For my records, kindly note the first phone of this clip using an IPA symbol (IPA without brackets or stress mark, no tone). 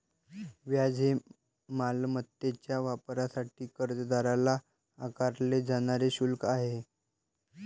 ʋ